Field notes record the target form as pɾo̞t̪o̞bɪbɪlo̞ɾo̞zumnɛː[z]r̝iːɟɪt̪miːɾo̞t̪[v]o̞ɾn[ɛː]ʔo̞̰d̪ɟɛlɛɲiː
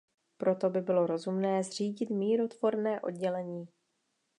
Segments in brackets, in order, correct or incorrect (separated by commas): correct, correct, correct